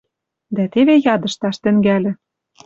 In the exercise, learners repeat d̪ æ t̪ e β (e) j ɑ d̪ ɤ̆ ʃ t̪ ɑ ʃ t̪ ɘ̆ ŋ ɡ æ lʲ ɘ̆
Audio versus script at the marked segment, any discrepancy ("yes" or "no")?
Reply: no